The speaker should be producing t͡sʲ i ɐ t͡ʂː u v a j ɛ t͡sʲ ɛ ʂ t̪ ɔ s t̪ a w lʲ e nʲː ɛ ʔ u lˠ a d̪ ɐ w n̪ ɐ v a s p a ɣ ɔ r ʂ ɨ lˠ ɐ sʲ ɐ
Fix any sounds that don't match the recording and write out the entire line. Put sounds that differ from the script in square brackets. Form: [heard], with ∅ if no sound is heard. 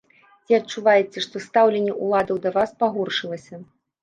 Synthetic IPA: t͡sʲ i ɐ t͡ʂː u v a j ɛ t͡sʲ ɛ ʂ t̪ ɔ s t̪ a w lʲ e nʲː ɛ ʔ u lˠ a d̪ ɐ w [d̪] ɐ v a s p a ɣ ɔ r ʂ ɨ lˠ ɐ sʲ ɐ